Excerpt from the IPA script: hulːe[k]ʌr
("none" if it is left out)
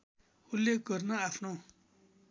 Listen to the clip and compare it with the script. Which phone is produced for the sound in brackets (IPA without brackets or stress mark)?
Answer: ɡ